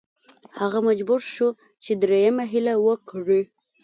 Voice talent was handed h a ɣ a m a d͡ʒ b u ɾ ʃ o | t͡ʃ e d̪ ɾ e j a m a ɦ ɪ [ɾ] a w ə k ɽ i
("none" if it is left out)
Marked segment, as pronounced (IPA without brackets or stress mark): l